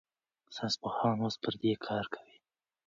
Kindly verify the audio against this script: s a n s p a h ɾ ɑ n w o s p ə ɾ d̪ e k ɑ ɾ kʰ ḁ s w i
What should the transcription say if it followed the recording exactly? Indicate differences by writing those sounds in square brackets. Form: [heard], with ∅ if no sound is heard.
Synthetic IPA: s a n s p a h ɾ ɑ n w o s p ə ɾ d̪ e [kʰ] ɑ ɾ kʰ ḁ [∅] w i